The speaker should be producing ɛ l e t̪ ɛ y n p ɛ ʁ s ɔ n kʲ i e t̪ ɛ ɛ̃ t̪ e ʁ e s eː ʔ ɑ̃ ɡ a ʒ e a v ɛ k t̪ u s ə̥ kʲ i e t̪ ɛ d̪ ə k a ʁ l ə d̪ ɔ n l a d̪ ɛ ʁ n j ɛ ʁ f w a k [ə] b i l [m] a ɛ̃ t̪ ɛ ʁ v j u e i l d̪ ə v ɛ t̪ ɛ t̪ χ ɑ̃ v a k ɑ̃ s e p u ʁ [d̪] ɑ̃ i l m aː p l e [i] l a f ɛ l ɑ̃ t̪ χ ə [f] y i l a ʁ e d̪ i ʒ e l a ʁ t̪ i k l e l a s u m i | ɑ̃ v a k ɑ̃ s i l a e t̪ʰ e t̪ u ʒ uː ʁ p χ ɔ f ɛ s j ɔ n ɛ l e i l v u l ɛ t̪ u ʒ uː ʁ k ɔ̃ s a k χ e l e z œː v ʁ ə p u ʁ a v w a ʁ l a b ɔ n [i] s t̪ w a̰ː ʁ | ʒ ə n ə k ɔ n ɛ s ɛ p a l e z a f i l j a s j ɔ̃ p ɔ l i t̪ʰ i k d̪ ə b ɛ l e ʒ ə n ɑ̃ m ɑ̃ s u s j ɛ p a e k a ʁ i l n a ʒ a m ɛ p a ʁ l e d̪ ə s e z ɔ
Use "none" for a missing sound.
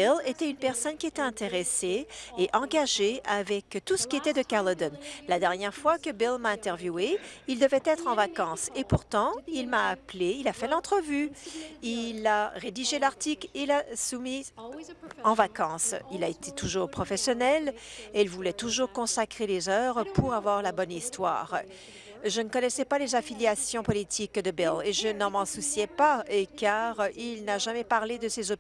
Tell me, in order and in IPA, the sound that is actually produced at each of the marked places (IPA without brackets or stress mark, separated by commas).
ə, m, t̪, i, v, i